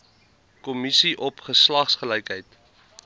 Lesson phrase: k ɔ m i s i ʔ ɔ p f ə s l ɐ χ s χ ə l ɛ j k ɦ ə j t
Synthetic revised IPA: k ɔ m i s i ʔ ɔ p χ ə s l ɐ χ s χ ə l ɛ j k ɦ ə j t